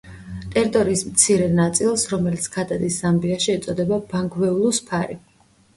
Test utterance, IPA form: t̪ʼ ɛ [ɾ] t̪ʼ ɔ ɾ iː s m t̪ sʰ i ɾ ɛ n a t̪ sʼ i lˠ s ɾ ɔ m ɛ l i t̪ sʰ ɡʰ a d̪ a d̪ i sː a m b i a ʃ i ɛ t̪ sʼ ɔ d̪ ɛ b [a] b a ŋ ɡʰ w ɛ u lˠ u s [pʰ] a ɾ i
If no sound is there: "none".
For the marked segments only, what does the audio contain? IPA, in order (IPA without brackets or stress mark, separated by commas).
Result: ɾ, a, pʰ